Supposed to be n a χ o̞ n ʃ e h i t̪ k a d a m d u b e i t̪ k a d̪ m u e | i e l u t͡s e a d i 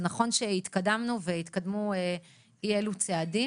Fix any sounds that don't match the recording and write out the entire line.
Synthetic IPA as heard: n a χ o̞ n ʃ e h i t̪ k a d a m n u v e i t̪ k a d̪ m u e | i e l u t͡s e a d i